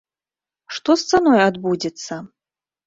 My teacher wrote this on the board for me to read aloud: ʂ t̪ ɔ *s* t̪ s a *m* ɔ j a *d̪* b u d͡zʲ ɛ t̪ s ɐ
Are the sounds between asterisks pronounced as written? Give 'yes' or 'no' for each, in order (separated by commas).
yes, no, yes